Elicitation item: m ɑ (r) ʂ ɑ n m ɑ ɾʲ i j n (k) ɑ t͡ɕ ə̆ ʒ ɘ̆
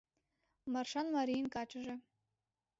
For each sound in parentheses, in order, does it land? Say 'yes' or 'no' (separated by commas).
yes, yes